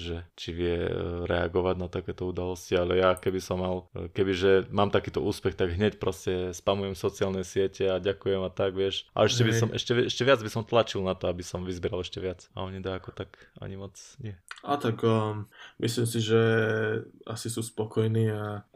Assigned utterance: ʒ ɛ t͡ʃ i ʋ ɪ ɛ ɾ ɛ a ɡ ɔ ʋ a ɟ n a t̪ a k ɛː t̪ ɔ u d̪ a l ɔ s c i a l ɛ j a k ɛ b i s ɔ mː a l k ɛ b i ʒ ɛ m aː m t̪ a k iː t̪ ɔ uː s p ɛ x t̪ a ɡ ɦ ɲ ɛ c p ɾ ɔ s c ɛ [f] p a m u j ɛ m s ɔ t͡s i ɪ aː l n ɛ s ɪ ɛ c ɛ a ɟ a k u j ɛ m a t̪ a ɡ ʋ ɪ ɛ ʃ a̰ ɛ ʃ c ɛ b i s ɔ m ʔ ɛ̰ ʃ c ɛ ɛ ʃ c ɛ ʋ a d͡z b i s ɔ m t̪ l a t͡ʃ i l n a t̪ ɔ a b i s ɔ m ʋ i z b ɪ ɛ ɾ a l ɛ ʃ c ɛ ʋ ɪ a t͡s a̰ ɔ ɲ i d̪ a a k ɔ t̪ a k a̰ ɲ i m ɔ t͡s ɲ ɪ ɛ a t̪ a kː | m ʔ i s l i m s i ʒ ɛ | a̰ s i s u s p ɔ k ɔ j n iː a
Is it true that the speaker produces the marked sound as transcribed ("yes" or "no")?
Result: no